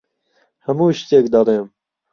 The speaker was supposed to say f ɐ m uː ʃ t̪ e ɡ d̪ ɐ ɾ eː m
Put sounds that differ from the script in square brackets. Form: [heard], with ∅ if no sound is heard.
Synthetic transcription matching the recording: [h] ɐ m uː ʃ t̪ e [k] d̪ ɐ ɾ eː m